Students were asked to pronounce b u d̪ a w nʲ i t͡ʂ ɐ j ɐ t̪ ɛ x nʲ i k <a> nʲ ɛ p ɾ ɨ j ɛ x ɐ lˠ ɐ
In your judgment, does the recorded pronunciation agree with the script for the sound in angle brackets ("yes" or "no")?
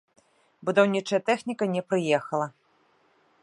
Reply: no